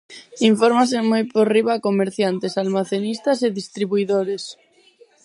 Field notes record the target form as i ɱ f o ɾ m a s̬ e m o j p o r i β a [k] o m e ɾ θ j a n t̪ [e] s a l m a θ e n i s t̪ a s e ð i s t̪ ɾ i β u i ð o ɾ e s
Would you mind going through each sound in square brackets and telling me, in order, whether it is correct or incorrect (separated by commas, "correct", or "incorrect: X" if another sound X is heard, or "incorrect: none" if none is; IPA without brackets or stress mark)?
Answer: correct, correct